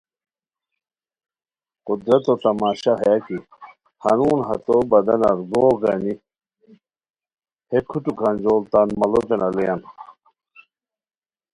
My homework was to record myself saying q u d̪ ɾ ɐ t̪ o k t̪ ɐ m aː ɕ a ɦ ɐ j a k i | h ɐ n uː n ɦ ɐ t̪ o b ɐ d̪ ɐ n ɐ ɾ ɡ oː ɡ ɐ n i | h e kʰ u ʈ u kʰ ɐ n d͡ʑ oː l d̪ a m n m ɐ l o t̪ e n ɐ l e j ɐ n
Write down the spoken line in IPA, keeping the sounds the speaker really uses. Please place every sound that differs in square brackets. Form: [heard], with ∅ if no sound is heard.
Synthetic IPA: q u d̪ ɾ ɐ t̪ o [∅] t̪ ɐ m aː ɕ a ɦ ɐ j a k i | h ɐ n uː n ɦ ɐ t̪ o b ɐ d̪ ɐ n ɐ ɾ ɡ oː ɡ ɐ n i | h e kʰ u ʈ u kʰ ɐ n d͡ʑ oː l [t̪] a [∅] n m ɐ l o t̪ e n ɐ l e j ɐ n

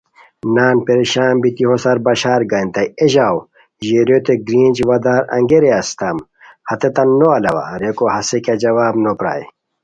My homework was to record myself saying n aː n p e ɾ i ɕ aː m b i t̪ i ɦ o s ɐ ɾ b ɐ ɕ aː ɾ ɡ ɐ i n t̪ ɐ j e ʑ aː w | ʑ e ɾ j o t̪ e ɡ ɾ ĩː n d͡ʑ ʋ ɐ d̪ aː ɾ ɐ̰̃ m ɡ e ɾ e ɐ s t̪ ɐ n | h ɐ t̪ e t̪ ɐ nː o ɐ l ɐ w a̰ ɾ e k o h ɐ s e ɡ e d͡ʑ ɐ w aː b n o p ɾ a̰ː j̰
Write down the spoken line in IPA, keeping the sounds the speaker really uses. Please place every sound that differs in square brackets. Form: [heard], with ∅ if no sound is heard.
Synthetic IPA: n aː n p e ɾ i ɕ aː m b i t̪ i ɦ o s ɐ ɾ b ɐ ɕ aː ɾ ɡ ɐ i n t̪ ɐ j e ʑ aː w | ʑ e ɾ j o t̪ e ɡ ɾ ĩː n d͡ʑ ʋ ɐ d̪ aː ɾ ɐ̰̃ [ŋ] ɡ e ɾ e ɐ s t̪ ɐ [m] | h ɐ t̪ e t̪ ɐ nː o ɐ l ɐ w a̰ ɾ e k o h ɐ s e [k] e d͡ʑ ɐ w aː b n o p ɾ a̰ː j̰

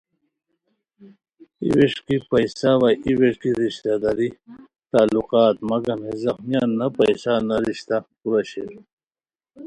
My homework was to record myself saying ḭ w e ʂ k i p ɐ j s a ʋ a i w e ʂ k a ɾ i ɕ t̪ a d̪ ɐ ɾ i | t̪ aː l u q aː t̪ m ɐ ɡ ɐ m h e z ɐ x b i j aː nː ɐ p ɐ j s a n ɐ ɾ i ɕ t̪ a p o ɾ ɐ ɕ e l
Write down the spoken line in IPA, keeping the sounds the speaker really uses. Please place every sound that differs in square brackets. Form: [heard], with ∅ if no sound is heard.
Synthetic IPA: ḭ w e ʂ k i p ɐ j s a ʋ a i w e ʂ k [i] ɾ i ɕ t̪ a d̪ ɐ ɾ i | t̪ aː l u q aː t̪ m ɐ ɡ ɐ m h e z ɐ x [m] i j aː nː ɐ p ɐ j s a n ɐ ɾ i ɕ t̪ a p [u] ɾ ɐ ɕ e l

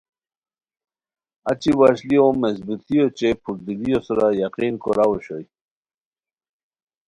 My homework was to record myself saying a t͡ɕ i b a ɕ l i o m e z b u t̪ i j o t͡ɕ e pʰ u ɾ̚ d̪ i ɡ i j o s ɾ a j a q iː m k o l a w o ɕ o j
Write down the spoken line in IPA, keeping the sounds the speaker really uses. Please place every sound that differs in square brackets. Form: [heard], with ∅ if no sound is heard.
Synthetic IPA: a t͡ɕ i [w] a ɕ l i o m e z b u t̪ i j o t͡ɕ e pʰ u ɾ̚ d̪ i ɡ i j o s ɾ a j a q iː [n] k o [ɾ] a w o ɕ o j

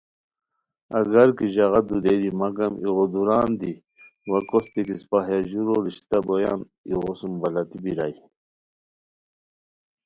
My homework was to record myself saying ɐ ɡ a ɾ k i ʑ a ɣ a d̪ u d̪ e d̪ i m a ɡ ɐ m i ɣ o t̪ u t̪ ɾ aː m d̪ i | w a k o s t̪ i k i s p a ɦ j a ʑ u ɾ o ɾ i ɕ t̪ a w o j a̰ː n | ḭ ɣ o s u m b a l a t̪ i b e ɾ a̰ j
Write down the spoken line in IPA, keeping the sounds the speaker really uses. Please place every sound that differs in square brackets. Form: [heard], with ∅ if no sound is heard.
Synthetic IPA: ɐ ɡ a ɾ k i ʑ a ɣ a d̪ u d̪ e d̪ i m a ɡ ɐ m i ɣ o [d̪] u [∅] ɾ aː [n] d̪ i | w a k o s t̪ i k i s p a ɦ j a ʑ u ɾ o ɾ i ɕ t̪ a [b] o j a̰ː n | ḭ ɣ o s u m b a l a t̪ i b [i] ɾ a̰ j

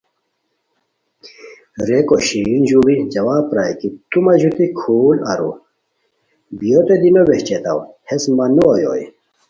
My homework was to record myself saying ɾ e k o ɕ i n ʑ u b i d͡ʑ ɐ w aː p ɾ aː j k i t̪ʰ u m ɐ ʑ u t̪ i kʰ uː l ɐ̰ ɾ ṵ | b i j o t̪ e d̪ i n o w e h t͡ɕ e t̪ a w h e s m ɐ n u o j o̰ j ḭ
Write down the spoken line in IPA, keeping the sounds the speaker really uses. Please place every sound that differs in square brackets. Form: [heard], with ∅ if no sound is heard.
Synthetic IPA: ɾ e k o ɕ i n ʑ u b i d͡ʑ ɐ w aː p ɾ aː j k i [t̪] u m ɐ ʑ u t̪ i kʰ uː l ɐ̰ ɾ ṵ | b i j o t̪ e d̪ i n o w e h t͡ɕ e t̪ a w h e s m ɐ n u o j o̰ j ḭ

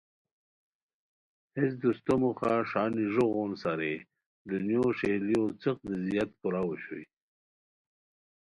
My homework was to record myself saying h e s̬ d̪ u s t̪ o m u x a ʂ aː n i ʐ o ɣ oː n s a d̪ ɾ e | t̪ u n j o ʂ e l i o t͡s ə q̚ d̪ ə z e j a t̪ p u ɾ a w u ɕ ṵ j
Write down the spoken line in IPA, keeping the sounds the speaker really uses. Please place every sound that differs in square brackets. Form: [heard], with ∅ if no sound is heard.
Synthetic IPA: h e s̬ d̪ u s t̪ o m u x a ʂ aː n i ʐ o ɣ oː n s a [∅] ɾ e | [d̪] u n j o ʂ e l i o t͡s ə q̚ d̪ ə z [i] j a t̪ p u ɾ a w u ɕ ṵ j

